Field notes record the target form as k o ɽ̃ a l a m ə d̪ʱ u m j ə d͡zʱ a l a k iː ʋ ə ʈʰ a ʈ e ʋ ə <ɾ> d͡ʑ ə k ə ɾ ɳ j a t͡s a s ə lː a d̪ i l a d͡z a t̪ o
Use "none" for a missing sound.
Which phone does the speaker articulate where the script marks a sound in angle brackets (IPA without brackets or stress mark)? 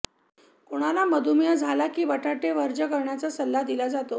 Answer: ɾ